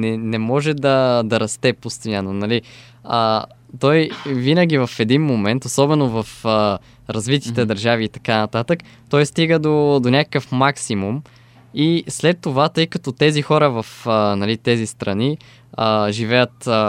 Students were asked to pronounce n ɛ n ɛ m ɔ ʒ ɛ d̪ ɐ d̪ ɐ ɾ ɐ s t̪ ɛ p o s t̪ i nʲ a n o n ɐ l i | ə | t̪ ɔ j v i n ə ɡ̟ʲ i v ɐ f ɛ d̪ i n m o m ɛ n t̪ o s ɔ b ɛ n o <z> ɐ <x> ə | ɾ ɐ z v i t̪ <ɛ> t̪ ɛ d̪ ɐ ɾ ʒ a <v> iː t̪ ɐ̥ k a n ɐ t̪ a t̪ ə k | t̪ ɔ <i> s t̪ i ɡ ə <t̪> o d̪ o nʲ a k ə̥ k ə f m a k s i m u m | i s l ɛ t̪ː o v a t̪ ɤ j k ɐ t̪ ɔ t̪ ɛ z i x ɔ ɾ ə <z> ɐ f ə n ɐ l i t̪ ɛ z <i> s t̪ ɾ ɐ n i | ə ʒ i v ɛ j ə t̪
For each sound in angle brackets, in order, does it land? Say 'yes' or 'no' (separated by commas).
no, no, no, yes, no, no, no, yes